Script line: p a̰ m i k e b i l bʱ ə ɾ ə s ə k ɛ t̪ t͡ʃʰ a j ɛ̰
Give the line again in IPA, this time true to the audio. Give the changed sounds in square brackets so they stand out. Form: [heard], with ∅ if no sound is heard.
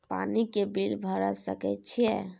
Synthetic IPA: p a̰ [n] i k e b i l bʱ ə ɾ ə s ə k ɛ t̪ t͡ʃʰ [i] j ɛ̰